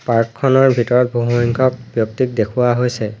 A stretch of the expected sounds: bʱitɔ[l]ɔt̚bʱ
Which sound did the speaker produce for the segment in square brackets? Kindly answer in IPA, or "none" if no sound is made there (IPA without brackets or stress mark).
ɹ